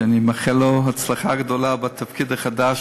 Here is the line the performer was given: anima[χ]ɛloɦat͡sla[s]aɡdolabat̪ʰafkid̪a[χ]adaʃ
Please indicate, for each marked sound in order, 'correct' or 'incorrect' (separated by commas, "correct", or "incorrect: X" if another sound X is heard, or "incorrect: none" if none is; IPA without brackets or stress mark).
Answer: correct, incorrect: χ, correct